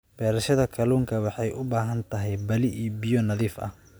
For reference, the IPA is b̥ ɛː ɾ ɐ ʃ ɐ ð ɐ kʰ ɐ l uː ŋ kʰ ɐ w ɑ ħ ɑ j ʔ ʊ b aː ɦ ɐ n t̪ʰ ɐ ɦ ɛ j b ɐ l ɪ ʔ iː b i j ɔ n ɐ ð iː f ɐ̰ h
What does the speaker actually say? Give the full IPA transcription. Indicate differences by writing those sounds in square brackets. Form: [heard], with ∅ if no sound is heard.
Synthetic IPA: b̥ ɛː ɾ ɐ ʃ ɐ ð ɐ kʰ ɐ l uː ŋ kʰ ɐ w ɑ ħ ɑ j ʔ ʊ b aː ɦ ɐ n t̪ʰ ɐ ɦ ɛ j b ɐ l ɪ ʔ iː b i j ɔ n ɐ ð iː f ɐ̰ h